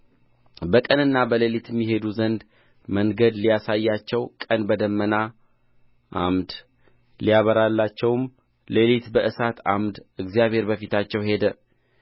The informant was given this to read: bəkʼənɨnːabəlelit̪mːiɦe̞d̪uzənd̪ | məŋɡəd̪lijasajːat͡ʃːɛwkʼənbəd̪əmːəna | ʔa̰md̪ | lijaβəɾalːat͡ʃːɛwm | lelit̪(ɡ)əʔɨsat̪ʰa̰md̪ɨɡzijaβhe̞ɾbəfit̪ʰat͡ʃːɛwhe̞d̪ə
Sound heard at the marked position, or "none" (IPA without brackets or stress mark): b